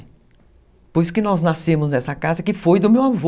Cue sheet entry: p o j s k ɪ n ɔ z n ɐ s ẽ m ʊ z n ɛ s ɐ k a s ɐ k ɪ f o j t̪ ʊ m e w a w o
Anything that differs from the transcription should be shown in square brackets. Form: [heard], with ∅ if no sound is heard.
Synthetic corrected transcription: p o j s k ɪ n ɔ z n [a] s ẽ m ʊ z n ɛ s ɐ k a [z] ɐ k ɪ f o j [d̪] ʊ m e w a [v] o